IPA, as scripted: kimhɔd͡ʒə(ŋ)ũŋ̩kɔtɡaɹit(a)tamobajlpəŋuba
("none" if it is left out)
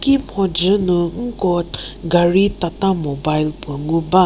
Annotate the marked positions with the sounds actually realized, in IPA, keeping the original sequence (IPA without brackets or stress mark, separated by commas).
n, a